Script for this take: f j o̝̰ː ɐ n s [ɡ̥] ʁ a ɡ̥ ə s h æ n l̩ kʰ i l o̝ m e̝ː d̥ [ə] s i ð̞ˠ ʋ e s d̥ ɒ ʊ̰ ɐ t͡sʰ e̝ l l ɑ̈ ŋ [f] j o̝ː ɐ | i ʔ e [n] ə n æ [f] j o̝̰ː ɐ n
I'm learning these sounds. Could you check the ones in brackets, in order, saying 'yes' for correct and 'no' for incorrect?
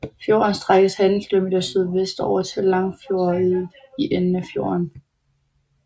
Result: no, no, yes, yes, yes

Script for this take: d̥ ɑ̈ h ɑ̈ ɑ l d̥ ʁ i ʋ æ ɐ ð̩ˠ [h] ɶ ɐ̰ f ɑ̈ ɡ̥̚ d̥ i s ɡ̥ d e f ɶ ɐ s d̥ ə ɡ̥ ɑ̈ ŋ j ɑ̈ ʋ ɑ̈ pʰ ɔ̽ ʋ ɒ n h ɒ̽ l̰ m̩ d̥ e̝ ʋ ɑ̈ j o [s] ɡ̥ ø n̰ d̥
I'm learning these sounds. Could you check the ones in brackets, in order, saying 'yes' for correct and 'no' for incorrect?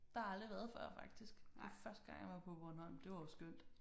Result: no, yes

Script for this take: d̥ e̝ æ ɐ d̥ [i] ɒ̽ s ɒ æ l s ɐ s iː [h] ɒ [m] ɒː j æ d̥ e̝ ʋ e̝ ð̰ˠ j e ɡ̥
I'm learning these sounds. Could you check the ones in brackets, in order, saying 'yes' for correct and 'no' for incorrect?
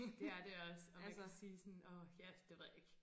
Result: no, no, no

